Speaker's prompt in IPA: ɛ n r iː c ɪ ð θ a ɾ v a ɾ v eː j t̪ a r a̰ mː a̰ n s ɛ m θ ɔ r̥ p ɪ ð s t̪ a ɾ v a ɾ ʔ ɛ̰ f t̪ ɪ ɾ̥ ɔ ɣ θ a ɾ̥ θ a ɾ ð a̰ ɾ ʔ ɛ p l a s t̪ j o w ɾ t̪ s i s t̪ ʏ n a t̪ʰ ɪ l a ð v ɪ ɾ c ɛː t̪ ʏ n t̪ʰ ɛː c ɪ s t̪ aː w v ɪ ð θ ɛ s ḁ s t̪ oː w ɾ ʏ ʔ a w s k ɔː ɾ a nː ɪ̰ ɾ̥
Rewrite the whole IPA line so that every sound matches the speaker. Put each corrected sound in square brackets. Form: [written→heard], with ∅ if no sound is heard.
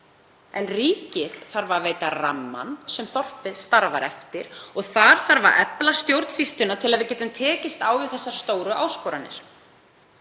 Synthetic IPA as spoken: ɛ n r iː c ɪ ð θ a ɾ v a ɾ v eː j t̪ a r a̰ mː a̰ n s ɛ m θ ɔ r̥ p ɪ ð s t̪ a ɾ v a ɾ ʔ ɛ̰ f t̪ ɪ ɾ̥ ɔ ɣ θ a ɾ̥ θ a ɾ [ð→v] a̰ ɾ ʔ ɛ p l a s t̪ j o w ɾ t̪ s i s t̪ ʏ n a t̪ʰ ɪ l a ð v ɪ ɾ c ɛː t̪ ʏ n t̪ʰ ɛː c ɪ s t̪ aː w v ɪ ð θ ɛ [s→sː] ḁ s t̪ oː w ɾ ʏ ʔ a w s k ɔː ɾ a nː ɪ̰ ɾ̥